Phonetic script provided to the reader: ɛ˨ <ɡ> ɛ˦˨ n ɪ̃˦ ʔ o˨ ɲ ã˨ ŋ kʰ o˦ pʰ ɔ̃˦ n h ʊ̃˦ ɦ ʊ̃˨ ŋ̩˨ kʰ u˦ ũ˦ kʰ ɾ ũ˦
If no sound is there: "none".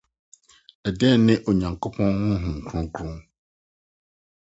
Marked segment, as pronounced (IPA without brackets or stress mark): d